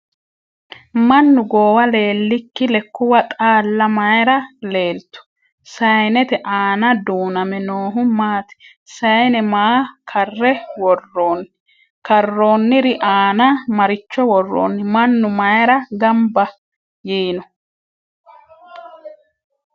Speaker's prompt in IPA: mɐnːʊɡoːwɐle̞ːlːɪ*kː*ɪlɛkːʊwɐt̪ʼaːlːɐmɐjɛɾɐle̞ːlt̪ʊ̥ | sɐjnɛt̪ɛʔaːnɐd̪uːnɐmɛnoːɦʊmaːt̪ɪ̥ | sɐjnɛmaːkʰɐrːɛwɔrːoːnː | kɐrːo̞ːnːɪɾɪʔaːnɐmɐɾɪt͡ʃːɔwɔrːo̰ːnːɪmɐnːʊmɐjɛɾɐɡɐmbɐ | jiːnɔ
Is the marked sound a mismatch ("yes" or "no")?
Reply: no